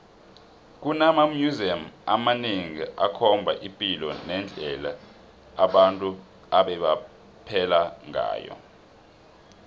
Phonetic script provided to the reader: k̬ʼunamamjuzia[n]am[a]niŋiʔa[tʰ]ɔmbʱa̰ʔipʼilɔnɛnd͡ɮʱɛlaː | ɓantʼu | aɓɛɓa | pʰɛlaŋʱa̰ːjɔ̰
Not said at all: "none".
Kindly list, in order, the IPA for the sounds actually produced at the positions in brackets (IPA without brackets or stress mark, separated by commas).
m, a, kʰ